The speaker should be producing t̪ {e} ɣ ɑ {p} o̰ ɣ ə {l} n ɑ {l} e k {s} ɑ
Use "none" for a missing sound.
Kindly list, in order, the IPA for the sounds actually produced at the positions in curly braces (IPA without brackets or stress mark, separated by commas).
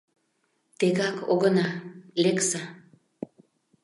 e, k, none, l, s